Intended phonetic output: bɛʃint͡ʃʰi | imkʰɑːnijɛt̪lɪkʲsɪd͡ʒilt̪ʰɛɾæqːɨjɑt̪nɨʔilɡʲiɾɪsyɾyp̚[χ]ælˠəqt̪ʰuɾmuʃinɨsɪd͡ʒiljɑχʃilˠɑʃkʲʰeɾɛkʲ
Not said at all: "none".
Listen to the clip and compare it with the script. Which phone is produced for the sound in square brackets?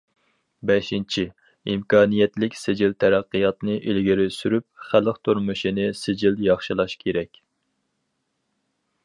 χ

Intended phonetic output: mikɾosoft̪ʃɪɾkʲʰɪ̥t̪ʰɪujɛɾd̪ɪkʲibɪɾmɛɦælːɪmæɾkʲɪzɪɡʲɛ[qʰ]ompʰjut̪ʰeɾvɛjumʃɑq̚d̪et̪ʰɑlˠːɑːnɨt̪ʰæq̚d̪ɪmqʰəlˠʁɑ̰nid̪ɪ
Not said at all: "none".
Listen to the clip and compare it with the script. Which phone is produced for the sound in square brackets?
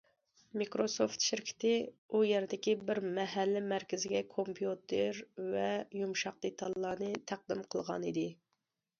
kʰ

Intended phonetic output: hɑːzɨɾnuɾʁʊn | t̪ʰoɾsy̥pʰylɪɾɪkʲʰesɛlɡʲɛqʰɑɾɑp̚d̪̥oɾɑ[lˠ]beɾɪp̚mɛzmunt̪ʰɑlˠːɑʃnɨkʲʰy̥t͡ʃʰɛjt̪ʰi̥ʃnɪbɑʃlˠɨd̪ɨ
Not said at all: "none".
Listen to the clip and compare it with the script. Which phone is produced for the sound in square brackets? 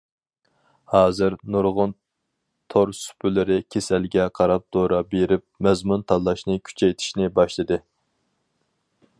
none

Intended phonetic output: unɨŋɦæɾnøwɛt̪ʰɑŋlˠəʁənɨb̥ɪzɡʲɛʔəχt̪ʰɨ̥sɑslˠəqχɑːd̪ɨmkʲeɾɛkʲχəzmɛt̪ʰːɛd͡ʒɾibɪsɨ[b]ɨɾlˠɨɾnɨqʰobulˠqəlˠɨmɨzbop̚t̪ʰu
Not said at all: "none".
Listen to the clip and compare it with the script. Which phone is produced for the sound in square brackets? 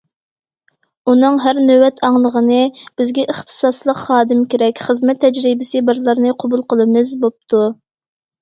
b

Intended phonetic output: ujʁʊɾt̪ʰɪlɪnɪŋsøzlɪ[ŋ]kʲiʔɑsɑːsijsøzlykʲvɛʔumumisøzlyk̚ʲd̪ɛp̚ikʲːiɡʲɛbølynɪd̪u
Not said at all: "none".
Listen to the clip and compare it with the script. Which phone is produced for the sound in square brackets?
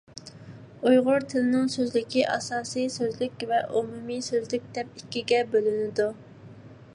none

